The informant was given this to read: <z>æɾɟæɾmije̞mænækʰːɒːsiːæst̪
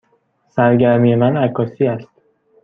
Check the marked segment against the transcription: incorrect: s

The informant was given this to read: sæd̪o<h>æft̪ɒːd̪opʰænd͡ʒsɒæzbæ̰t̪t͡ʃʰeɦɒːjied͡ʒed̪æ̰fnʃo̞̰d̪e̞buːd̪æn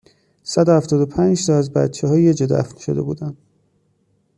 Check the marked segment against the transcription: correct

